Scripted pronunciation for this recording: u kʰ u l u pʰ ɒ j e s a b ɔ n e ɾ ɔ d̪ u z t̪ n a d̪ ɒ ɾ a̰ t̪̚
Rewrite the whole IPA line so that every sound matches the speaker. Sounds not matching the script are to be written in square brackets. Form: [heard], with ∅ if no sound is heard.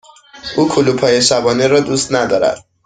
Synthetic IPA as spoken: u kʰ u l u pʰ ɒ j e s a b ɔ n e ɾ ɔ d̪ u [s] t̪ n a d̪ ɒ ɾ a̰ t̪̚